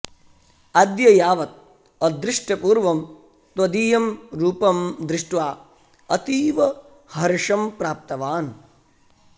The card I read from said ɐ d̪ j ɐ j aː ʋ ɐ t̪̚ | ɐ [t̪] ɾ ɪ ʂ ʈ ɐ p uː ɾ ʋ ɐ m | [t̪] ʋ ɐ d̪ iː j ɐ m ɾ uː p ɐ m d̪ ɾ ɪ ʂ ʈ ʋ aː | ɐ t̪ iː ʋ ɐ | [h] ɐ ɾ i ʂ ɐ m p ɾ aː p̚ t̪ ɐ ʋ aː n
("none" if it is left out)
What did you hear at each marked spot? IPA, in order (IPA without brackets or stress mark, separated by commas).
d̪, t̪, h